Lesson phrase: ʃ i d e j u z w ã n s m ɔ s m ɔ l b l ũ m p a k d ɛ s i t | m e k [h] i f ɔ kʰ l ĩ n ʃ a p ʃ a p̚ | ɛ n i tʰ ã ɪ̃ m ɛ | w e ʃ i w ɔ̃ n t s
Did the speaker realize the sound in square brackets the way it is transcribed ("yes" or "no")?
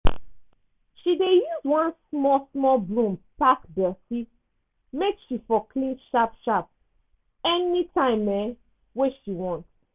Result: no